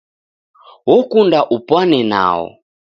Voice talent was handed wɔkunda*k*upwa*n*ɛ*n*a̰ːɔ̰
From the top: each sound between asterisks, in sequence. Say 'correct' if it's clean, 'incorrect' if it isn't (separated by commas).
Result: incorrect, correct, correct